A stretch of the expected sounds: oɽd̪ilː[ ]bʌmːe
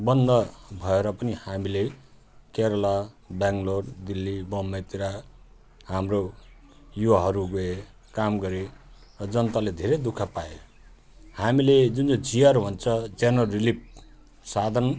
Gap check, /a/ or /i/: i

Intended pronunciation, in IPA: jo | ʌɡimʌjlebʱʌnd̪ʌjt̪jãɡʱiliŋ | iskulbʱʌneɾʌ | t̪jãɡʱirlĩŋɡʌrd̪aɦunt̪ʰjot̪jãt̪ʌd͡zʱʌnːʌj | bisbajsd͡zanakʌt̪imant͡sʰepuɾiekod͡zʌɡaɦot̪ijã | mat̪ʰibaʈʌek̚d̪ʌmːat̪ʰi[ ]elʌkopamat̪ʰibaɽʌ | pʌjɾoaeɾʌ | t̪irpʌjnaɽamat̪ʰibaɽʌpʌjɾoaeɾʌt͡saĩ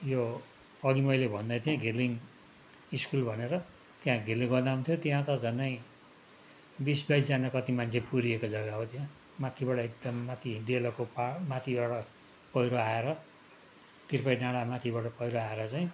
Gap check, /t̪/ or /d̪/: d̪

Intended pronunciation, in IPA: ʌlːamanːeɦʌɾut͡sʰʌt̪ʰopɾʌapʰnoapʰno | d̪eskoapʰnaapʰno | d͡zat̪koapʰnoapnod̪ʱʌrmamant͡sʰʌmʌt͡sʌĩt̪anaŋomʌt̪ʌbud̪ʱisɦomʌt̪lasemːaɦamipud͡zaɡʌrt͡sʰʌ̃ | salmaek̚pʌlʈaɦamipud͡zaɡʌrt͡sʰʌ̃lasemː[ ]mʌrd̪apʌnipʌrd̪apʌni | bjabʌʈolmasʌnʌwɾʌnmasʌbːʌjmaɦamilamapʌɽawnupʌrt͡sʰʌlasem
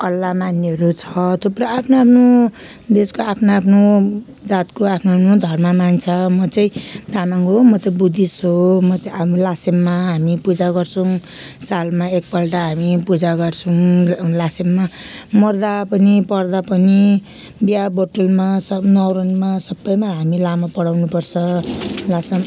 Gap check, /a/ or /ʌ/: a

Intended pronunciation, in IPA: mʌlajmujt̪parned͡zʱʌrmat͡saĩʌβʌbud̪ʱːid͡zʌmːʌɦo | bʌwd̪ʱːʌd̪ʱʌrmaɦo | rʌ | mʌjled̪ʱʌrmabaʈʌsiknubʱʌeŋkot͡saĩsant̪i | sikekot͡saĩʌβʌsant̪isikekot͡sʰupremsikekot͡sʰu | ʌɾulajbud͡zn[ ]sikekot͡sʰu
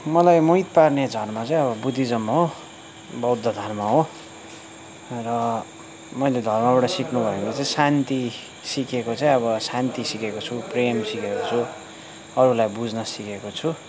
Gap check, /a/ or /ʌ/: ʌ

